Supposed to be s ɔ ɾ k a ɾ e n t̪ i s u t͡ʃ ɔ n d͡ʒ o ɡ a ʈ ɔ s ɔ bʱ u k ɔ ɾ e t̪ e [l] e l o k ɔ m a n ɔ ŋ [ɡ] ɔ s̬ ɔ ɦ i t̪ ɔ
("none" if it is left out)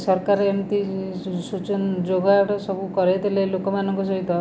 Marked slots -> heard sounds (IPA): l, k

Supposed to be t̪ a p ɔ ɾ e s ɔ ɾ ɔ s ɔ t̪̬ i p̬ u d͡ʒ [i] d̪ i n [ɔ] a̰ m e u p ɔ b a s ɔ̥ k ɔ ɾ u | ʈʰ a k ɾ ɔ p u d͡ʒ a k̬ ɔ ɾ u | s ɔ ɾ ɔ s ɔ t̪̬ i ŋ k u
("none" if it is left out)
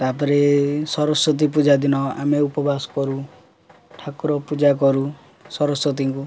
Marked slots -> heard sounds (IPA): a, ɔ

